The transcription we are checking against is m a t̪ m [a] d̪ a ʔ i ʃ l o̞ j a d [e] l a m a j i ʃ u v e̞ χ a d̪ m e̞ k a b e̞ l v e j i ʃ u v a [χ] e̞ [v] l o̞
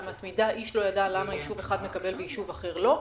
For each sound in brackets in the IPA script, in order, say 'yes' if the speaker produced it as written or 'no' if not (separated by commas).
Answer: no, no, yes, no